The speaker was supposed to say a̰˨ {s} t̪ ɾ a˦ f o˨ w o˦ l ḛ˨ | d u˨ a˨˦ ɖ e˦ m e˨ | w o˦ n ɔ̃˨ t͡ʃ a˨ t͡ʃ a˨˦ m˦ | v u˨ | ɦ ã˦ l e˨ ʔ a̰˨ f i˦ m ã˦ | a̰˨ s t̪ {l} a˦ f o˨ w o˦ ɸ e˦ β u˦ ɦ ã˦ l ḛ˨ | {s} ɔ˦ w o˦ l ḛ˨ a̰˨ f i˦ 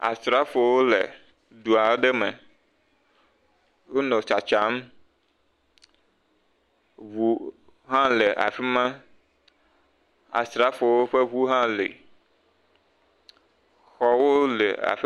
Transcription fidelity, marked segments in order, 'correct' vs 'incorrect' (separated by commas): correct, incorrect, incorrect